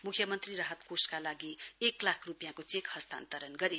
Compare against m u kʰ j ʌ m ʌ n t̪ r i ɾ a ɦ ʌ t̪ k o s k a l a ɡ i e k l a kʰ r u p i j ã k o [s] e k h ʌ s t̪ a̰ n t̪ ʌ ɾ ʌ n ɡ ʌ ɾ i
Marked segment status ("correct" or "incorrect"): incorrect